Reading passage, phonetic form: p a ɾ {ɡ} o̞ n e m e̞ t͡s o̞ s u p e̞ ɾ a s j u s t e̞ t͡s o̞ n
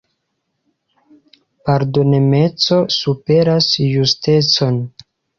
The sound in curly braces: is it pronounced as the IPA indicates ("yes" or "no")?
no